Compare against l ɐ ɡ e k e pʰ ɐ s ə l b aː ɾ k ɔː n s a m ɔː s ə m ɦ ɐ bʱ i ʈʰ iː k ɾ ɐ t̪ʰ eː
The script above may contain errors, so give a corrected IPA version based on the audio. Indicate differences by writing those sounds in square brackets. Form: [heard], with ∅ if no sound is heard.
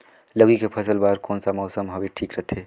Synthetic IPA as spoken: l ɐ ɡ [i] k e pʰ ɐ s ə l b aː ɾ k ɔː n s a m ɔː s ə m ɦ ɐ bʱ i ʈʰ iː k ɾ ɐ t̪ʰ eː